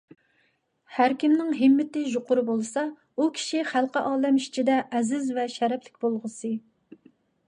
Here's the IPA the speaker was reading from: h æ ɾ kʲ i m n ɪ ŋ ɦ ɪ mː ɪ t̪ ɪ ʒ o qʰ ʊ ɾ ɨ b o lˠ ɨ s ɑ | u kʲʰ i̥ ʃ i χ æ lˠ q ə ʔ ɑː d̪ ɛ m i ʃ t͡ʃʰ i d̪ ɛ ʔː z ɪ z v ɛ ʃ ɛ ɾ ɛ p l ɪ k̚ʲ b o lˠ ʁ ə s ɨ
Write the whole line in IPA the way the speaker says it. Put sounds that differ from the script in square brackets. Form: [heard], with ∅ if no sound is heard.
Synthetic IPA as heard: h æ ɾ kʲ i m n ɪ ŋ ɦ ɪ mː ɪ t̪ ɪ ʒ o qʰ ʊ ɾ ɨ b o lˠ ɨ s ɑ | u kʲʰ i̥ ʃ i χ æ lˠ q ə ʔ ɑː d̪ ɛ m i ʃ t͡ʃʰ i d̪ ɛ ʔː z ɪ z v ɛ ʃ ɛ ɾ ɛ p l ɪ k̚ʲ b o lˠ ʁ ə s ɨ